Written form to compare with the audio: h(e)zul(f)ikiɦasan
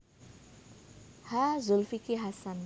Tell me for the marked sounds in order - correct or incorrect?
incorrect: a, correct

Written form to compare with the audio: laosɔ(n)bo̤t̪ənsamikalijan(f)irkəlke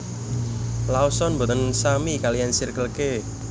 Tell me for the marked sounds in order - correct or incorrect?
correct, incorrect: s

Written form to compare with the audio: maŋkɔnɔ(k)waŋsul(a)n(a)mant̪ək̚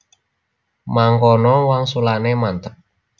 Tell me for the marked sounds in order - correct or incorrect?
incorrect: none, correct, incorrect: e

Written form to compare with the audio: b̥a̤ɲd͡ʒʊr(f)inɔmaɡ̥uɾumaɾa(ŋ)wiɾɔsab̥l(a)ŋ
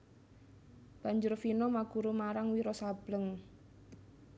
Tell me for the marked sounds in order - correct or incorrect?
correct, correct, incorrect: ə

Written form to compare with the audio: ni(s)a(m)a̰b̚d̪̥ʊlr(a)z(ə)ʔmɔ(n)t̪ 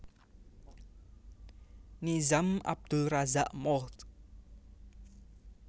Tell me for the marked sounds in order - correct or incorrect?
incorrect: z, correct, correct, incorrect: a, incorrect: none

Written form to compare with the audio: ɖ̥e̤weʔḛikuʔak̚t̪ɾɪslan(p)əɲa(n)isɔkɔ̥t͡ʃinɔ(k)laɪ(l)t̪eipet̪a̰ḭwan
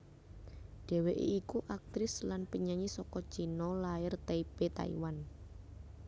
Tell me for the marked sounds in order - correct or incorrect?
correct, incorrect: ɲ, incorrect: none, incorrect: r

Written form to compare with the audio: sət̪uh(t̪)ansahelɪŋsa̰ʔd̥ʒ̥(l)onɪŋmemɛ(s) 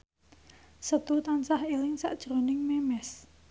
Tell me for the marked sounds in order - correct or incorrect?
correct, incorrect: ɾ, correct

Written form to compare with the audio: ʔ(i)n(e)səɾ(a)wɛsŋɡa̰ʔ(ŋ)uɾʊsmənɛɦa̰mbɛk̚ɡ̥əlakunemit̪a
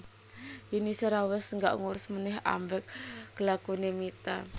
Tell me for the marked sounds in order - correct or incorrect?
correct, incorrect: i, correct, correct

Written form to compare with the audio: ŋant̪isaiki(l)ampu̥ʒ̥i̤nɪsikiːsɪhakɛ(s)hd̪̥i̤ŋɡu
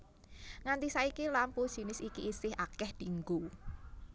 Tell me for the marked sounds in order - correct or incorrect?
correct, incorrect: none

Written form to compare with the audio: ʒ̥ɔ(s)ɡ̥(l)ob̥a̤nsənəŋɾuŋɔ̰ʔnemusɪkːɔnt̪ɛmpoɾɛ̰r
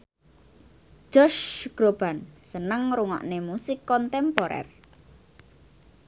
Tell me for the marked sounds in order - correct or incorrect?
incorrect: ʃ, incorrect: ɾ

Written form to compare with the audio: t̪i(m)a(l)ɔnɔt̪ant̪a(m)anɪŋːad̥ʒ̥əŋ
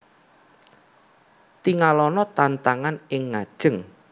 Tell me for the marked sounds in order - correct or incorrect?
incorrect: ŋ, correct, incorrect: ŋ

